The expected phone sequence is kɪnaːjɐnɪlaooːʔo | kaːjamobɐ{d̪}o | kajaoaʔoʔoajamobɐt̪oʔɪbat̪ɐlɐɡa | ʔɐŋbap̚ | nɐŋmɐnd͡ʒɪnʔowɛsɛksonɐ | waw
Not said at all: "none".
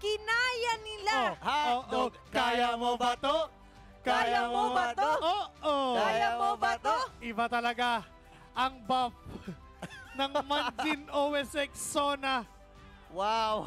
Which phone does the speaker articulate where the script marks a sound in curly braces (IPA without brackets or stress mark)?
t̪